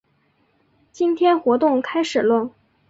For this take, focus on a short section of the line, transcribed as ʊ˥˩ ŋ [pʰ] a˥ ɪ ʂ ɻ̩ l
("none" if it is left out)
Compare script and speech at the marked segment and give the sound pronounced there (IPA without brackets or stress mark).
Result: kʰ